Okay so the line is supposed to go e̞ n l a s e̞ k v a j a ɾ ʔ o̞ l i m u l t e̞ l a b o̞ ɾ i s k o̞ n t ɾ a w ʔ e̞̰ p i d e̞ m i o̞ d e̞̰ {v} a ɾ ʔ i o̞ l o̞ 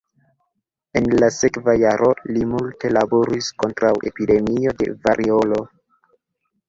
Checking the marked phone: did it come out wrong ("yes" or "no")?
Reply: no